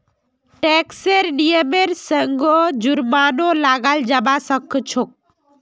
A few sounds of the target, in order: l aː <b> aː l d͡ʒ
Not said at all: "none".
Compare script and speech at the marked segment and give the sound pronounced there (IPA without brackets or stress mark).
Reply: ɡ